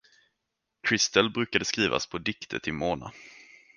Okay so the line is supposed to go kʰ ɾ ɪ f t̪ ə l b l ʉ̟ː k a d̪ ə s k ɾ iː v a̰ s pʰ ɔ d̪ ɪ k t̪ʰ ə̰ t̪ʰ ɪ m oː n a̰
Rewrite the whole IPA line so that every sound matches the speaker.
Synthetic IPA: kʰ ɾ ɪ s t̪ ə l b ɾ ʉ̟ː k a d̪ ə s k ɾ iː v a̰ s pʰ ɔ d̪ ɪ k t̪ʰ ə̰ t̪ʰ ɪ m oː n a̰